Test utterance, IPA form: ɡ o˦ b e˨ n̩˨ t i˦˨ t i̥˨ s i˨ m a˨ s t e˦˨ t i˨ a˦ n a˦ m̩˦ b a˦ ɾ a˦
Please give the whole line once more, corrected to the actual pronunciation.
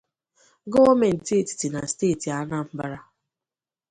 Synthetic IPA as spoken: ɡ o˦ m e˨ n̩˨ t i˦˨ t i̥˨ t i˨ n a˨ s t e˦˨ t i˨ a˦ n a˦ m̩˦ b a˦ ɾ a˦